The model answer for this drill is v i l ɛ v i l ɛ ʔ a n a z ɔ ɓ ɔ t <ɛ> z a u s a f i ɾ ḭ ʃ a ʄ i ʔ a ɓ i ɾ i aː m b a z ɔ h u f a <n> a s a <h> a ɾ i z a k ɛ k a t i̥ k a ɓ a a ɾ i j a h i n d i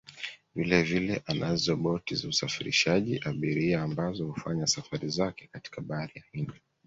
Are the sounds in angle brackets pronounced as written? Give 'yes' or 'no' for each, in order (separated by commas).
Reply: no, no, no